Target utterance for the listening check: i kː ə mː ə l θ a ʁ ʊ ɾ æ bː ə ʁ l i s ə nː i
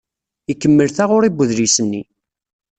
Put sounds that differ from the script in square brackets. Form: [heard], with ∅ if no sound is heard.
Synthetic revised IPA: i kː ə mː ə l θ a ʁ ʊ ɾ [i] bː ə [ð] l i s ə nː i